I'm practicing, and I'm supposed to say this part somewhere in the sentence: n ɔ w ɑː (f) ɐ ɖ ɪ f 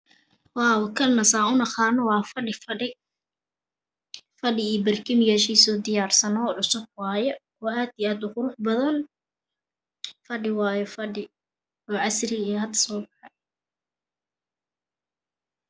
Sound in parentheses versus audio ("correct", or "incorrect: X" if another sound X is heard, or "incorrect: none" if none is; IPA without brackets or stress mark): correct